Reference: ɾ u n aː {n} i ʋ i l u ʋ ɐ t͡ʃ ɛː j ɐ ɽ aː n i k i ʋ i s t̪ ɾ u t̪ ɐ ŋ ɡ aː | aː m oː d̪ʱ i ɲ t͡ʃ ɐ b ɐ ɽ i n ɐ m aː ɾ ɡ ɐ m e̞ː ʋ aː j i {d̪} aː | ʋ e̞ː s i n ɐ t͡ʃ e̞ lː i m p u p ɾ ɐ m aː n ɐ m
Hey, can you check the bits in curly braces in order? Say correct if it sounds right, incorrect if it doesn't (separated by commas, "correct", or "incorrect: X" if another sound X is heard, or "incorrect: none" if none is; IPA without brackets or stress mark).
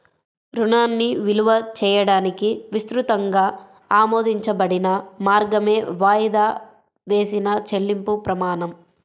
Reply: incorrect: nː, correct